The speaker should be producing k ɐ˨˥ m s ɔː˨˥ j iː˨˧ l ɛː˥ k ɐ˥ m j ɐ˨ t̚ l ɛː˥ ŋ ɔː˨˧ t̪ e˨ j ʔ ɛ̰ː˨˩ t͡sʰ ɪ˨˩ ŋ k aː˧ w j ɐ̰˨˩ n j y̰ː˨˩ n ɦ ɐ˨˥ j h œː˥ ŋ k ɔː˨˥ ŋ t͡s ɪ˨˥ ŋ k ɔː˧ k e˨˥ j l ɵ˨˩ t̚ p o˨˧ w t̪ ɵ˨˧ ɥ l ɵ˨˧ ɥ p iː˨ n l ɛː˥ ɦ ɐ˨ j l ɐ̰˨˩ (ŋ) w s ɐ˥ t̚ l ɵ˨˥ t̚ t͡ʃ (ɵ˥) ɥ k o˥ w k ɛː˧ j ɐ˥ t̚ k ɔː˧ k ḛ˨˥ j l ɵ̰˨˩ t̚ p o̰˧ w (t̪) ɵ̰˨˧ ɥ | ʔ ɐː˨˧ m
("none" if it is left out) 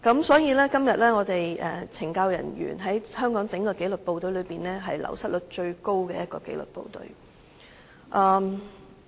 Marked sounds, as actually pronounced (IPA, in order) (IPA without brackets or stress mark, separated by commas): none, ɵ˧, t̪